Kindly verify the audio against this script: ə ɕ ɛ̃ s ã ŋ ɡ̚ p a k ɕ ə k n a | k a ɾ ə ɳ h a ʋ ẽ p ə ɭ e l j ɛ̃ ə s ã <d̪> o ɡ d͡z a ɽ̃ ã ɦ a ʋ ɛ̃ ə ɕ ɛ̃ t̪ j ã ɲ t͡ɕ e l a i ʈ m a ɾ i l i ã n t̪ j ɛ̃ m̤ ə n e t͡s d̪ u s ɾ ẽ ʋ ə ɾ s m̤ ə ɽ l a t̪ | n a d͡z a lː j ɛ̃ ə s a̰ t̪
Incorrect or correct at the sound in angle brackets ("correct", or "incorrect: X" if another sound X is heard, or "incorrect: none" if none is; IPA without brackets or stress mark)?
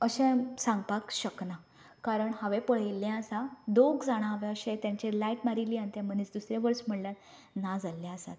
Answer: correct